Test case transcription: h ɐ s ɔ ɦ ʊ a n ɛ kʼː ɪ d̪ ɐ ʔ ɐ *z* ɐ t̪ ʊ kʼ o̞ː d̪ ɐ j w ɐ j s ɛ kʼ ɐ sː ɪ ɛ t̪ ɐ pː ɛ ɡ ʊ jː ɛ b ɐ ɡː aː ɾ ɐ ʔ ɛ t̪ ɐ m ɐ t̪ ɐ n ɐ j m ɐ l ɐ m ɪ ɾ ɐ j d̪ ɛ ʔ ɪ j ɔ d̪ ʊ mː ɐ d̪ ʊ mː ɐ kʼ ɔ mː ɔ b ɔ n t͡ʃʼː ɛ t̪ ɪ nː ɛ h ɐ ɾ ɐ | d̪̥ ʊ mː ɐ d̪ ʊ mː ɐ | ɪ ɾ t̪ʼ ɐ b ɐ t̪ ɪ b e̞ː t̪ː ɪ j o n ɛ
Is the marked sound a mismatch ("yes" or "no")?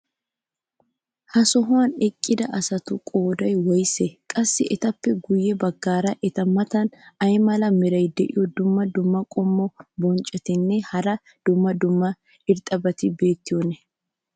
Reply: yes